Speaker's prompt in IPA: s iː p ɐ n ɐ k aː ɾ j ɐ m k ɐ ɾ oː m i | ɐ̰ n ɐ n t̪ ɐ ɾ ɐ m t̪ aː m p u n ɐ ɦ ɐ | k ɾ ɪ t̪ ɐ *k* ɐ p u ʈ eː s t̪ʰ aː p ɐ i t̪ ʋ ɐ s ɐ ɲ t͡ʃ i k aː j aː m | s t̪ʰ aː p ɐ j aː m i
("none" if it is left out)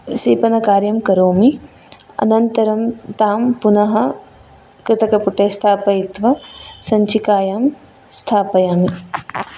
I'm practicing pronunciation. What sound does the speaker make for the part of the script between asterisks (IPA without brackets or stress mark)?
k